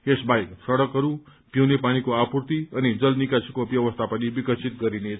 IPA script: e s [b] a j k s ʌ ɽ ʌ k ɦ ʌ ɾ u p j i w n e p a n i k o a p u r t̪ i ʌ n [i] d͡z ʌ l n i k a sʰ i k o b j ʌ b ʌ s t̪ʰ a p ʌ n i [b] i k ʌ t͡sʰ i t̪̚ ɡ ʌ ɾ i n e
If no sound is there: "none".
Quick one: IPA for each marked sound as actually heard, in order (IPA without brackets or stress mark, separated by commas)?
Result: b, i, b